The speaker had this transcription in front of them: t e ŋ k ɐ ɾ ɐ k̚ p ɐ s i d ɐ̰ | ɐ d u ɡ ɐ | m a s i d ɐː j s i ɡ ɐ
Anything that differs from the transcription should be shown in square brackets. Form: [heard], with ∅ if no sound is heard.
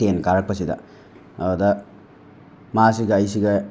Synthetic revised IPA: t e [n] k [a] ɾ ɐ k̚ p ɐ s i d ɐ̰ | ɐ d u [d] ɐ | m a s i [ɡ] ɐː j s i ɡ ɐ